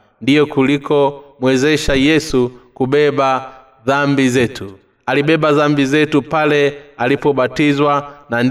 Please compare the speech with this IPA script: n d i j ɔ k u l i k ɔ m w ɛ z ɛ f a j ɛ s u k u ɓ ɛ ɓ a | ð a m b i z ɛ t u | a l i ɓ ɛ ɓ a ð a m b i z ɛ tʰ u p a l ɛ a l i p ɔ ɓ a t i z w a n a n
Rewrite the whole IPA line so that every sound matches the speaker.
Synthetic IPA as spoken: n d i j ɔ k u l i k ɔ m w ɛ z ɛ ʃ a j ɛ s u k u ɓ ɛ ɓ a | ð a m b i z ɛ t u | a l i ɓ ɛ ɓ a ð a m b i z ɛ t u p a l ɛ a l i p ɔ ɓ a t i z w a n a n